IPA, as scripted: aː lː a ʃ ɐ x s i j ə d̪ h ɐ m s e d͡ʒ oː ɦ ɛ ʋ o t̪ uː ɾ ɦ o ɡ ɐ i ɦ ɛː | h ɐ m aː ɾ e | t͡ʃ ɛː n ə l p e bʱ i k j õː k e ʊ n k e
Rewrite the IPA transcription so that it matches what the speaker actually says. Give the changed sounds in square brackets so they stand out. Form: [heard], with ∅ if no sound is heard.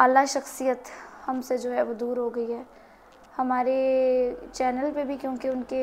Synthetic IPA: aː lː a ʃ ɐ x s i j ə [t̪] h ɐ m s e d͡ʒ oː ɦ ɛ ʋ o [d̪] uː ɾ ɦ o ɡ ɐ i ɦ ɛː | h ɐ m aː ɾ e | t͡ʃ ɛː n ə l p e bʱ i k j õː k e ʊ n k e